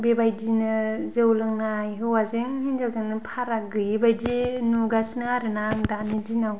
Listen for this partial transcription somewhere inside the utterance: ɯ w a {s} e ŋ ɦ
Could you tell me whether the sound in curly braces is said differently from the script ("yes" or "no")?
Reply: yes